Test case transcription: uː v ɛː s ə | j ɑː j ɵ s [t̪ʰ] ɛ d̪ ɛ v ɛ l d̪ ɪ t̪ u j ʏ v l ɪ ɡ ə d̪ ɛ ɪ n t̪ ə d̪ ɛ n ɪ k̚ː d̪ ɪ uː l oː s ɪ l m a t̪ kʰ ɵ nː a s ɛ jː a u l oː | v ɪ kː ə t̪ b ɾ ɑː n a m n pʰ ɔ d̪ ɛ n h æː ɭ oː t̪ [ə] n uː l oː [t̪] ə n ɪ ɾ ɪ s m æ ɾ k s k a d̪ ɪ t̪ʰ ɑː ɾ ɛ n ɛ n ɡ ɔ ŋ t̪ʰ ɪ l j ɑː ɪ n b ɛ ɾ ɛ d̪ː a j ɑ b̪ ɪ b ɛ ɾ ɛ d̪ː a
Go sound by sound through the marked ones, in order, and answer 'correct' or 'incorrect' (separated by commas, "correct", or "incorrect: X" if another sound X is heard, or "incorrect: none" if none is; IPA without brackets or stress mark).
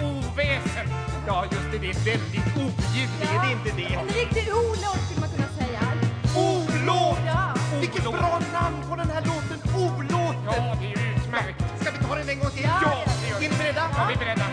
incorrect: t̪, correct, correct